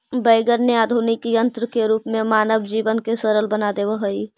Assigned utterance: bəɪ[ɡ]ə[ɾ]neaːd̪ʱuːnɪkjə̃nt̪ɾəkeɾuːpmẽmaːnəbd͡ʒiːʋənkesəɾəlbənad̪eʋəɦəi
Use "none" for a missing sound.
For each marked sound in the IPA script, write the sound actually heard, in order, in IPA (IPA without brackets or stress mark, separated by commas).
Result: ɡ, ɾ